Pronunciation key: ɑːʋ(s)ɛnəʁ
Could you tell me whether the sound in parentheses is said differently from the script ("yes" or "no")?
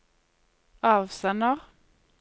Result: no